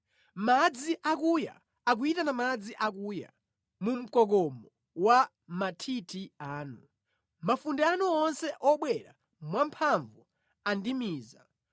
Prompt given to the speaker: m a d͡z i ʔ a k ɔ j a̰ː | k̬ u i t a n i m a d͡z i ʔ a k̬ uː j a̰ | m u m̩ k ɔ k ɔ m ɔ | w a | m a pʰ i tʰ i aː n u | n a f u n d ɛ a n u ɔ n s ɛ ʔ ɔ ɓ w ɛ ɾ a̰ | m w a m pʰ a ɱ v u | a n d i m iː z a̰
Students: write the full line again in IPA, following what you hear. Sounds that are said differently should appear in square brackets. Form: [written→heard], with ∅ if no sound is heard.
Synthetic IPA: m a d͡z i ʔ a k [ɔ→u] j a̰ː | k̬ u i t a n [i→a] m a d͡z i ʔ a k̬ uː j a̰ | m u m̩ k ɔ k ɔ m ɔ | w a | m a [pʰ→tʰ] i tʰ i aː n u | [n→m] a f u n d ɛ a n u ɔ n s ɛ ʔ ɔ ɓ w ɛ ɾ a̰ | m w a m pʰ a ɱ v u | a n d i m iː z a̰